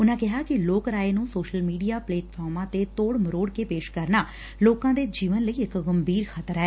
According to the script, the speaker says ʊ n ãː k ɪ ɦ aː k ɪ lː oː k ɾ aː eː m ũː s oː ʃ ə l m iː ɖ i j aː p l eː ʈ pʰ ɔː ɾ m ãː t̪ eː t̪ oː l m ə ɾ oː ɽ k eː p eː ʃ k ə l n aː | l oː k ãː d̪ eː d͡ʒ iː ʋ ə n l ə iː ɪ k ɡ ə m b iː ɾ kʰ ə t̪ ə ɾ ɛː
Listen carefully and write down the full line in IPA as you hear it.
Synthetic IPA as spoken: ʊ n ãː k ɪ ɦ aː k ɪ l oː k ɾ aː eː n ũː s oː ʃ ə l m iː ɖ i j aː p l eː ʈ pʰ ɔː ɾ m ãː t̪ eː t̪ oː ɽ m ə ɾ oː ɽ k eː p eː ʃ k ə ɾ n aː | l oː k ãː d̪ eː d͡ʒ iː ʋ ə n l ə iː ɪ k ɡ ə m b iː ɾ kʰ ə t̪ ə ɾ ɛː